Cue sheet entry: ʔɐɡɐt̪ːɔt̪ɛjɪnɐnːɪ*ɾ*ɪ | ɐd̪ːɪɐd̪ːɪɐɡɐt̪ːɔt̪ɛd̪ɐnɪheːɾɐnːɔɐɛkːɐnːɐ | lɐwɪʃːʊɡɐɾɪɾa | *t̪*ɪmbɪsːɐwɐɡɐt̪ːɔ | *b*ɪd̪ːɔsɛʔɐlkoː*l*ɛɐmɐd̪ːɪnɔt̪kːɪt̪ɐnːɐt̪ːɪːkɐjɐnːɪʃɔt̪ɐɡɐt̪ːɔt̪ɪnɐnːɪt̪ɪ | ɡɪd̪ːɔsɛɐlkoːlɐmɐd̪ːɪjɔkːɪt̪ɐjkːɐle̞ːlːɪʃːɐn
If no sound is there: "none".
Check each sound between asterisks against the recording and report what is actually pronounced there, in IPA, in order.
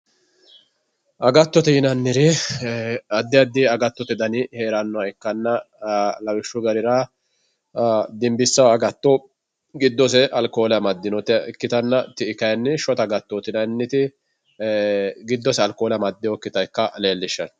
ɾ, d̪, ɡ, l

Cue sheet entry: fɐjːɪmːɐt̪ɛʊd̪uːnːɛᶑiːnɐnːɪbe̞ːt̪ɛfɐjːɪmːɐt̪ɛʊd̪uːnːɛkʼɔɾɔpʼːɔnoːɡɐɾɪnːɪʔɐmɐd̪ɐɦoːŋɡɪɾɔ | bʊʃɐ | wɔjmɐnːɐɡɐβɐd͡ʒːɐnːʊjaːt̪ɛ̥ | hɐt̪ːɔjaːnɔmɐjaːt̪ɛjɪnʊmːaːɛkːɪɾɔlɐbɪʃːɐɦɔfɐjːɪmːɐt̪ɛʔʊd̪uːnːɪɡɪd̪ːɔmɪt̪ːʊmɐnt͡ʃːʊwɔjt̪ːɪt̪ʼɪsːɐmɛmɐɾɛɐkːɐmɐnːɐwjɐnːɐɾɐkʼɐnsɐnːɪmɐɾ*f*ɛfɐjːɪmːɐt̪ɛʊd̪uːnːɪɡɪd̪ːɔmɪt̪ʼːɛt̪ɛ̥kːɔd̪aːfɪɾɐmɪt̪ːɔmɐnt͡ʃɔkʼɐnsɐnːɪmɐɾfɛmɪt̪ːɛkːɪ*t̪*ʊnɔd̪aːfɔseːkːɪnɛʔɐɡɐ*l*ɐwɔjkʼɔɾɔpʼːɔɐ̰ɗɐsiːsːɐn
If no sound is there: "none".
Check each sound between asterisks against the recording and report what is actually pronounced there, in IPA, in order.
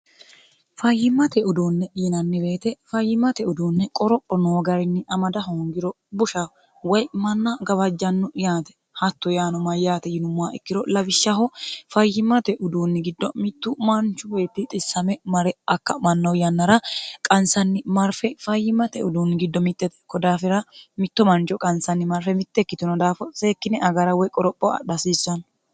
f, t̪, ɾ

